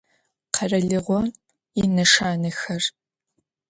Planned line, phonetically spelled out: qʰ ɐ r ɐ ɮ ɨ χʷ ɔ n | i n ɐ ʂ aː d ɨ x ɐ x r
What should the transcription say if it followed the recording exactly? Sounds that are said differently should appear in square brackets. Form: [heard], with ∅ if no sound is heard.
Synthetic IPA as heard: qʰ ɐ r ɐ ɮ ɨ [ʁʷ] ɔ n | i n ɐ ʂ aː [n] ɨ x ɐ [∅] r